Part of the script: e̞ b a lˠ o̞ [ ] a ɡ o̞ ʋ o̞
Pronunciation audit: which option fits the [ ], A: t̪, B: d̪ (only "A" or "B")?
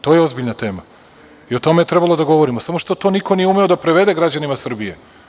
B